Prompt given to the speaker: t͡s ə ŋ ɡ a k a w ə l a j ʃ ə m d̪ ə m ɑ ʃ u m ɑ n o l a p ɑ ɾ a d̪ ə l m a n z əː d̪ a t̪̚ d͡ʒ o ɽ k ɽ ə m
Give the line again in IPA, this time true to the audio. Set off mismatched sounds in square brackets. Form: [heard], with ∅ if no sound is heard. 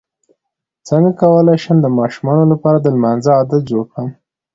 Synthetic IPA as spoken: t͡s ə ŋ ɡ a k a w ə l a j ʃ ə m d̪ ə m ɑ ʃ u m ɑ n o l a p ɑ ɾ a d̪ ə l m a n z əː d̪ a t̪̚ d͡ʒ o ɽ k ɽ ə m